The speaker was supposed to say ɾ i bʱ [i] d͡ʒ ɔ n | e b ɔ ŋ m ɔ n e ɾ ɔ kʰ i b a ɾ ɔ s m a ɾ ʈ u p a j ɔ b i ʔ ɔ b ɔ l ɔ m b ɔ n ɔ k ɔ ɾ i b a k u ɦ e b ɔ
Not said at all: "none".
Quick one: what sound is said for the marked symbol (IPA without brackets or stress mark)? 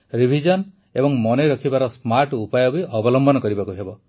i